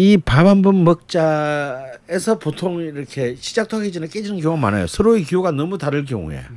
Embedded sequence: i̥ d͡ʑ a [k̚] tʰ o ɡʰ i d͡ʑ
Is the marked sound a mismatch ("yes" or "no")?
no